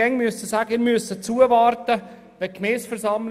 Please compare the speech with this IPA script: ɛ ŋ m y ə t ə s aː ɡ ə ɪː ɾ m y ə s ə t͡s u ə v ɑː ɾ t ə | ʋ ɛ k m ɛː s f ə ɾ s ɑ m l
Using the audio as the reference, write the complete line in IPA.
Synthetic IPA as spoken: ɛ ŋ m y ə s ə s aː ɡ ə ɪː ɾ m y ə s ə t͡s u ə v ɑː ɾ t ə | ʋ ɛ k m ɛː s f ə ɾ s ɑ m l